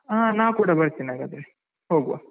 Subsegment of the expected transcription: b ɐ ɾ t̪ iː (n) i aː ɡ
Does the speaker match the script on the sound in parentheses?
yes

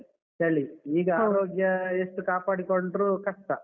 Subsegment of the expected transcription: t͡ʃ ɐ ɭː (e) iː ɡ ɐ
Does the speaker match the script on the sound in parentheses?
no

